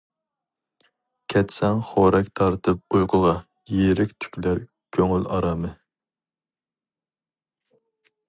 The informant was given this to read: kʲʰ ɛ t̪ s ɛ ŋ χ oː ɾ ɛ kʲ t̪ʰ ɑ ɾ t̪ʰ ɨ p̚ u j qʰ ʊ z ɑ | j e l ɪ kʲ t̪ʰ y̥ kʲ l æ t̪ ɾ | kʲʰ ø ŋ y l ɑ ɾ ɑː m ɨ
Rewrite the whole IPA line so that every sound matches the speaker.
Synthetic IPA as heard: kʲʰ ɛ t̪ s ɛ ŋ χ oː ɾ ɛ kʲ t̪ʰ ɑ ɾ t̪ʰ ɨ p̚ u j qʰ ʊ ʁ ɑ | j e ɾ ɪ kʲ t̪ʰ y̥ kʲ l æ ɾ | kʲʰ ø ŋ y l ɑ ɾ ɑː m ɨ